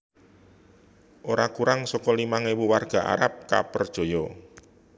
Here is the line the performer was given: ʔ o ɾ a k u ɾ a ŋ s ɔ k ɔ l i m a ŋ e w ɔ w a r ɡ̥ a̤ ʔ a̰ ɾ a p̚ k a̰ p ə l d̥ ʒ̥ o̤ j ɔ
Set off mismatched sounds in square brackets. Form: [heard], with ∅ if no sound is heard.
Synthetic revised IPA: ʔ o ɾ a k u ɾ a ŋ s ɔ k ɔ l i m a ŋ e w [u] w a r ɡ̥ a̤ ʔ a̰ ɾ a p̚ k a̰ p ə [r] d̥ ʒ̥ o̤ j ɔ

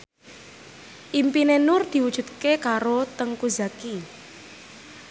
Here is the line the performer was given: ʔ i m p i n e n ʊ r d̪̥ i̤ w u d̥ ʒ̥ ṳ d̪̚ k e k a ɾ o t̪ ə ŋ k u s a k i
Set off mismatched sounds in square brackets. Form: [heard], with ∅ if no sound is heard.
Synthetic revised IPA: ʔ i m p i n e n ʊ r d̪̥ i̤ w u d̥ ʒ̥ ṳ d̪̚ k e k a ɾ o t̪ ə ŋ k u [z] a k i

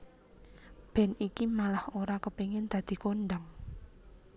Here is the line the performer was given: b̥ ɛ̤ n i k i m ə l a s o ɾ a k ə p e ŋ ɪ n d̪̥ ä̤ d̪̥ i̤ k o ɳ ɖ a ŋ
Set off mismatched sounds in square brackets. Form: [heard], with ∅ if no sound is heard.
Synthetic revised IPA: b̥ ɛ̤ n i k i m [a] l a [h] o ɾ a k ə p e ŋ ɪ n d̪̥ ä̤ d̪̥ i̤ k o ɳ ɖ a ŋ

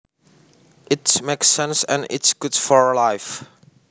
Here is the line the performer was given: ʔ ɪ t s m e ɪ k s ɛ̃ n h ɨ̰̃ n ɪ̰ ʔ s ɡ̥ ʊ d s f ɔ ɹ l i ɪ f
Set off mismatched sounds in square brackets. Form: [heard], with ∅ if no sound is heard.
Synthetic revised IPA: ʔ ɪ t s m e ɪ k s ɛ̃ n [s] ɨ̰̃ n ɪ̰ [t] s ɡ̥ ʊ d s f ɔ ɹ l [a] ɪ f

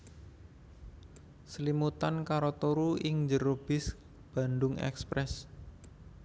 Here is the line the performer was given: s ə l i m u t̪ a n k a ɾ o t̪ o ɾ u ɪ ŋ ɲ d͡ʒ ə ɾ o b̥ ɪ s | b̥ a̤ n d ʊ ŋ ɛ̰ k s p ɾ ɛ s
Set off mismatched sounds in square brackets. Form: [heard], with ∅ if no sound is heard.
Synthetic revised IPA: s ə l i m u t̪ a n k a ɾ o t̪ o ɾ u ɪ ŋ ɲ d͡ʒ ə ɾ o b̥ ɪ s | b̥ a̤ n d ʊ ŋ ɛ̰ k s p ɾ ɛ s

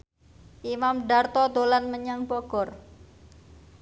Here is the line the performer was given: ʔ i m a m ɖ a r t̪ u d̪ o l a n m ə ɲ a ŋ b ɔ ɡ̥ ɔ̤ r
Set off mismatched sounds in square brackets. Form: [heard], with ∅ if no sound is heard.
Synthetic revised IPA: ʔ i m a m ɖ a r t̪ [ɔ] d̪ o l a n m ə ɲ a ŋ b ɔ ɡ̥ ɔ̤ r

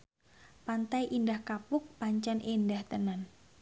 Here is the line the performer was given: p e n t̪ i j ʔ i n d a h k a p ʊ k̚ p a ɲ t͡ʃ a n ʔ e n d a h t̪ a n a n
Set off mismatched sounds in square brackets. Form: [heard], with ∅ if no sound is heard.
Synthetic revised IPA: p [a] n t̪ [a] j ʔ i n d a h k a p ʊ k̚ p a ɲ t͡ʃ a n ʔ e n d a h t̪ [ə] n a n

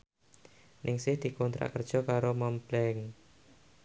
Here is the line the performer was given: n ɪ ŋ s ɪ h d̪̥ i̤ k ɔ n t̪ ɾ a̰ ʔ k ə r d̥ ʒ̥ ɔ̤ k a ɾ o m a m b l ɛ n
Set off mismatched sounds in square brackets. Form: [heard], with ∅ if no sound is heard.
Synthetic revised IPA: n ɪ ŋ s ɪ h d̪̥ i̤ k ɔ n t̪ ɾ a̰ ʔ k ə r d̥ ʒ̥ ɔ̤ k a ɾ o m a m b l ɛ [ŋ]

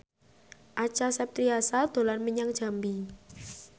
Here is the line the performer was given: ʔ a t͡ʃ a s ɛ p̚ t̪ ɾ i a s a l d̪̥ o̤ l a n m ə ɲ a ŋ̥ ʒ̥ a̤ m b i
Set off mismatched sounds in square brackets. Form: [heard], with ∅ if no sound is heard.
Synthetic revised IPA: ʔ a t͡ʃ a s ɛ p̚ t̪ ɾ i a s a l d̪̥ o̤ l a n m ə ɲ a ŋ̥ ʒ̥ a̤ m b i

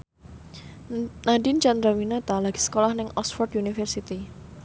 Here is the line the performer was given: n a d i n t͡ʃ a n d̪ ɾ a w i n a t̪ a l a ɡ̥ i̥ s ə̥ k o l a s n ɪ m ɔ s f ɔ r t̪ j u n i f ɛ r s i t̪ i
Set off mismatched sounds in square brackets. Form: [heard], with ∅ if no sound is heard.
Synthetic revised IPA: n a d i n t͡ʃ a n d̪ ɾ a w i n a t̪ a l a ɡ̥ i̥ s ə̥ k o l a [h] n ɪ [ŋ] ɔ s f ɔ r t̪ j u n i f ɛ r s i t̪ i

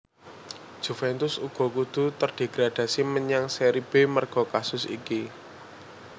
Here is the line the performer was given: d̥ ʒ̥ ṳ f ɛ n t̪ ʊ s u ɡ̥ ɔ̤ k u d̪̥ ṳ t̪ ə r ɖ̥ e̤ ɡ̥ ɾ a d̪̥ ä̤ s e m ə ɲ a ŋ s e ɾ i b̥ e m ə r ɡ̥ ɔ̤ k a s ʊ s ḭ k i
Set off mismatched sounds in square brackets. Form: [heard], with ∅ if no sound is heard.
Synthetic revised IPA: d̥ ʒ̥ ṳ f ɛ n t̪ ʊ s u ɡ̥ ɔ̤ k u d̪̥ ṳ t̪ ə r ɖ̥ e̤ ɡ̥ ɾ a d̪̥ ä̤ s [i] m ə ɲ a ŋ s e ɾ i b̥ e m ə r ɡ̥ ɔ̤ k a s ʊ s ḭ k i

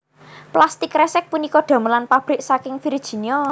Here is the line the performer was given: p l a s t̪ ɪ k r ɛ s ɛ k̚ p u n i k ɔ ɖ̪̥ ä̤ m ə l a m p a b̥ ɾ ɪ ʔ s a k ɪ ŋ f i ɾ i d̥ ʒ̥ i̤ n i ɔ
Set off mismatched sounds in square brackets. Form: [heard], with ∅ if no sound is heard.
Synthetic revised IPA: p l a s t̪ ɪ k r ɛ s ɛ k̚ p u n i k ɔ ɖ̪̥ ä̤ m ə l a [n] p a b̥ ɾ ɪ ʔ s a k ɪ ŋ f i ɾ i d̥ ʒ̥ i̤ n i ɔ

